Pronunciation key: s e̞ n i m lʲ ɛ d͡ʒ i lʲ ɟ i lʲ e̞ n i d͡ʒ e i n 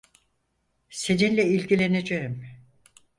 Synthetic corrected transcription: s e̞ n i n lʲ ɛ i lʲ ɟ i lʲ e̞ n e d͡ʒ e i m